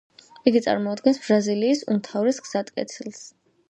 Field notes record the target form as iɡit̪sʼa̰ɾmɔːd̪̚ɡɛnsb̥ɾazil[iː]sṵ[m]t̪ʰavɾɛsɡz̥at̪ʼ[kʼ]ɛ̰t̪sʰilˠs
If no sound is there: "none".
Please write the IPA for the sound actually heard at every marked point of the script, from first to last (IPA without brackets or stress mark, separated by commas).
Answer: iː, m, kʼ